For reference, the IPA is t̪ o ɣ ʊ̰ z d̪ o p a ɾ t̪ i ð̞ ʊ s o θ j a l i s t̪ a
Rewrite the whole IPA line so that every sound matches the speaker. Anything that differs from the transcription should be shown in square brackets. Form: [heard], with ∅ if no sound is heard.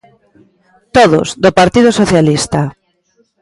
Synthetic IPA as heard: t̪ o [ð] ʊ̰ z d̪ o p a ɾ t̪ i ð̞ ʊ s o θ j a l i s t̪ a